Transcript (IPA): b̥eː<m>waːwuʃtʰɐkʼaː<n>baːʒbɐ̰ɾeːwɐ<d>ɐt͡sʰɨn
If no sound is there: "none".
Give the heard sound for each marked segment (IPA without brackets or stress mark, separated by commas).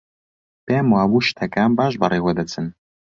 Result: m, m, d